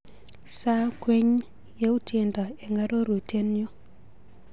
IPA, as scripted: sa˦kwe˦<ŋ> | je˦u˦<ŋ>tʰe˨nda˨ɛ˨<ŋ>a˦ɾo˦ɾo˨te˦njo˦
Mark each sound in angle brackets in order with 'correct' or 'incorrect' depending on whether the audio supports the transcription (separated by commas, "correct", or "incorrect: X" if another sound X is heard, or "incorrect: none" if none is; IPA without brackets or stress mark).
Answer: incorrect: ɲ, incorrect: none, correct